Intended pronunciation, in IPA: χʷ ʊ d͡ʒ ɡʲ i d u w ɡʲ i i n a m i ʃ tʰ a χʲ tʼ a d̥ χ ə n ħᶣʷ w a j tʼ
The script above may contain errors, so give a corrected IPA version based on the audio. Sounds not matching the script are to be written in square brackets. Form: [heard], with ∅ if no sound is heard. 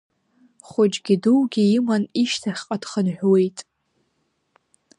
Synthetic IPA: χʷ ʊ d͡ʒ ɡʲ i d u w ɡʲ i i [m] a [n] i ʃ tʰ a χʲ [qʼ] a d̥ χ ə n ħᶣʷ w [e] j tʼ